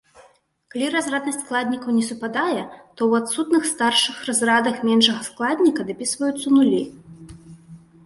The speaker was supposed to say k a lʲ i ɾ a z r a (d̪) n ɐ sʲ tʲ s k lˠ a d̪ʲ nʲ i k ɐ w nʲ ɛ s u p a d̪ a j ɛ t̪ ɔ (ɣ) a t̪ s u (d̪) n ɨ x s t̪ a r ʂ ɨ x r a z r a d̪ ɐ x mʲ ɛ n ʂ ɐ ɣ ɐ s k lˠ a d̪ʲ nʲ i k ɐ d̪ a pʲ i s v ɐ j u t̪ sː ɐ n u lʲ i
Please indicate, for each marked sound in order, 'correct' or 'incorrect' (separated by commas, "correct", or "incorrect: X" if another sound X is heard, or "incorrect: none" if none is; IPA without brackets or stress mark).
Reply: correct, incorrect: w, incorrect: t̪